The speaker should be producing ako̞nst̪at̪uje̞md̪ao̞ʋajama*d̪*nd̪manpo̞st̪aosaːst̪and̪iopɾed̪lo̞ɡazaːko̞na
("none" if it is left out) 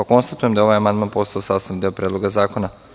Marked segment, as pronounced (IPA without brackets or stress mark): none